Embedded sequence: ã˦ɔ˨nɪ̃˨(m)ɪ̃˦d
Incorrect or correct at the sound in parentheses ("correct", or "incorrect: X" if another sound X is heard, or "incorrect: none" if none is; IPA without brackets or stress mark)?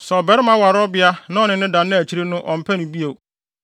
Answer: incorrect: n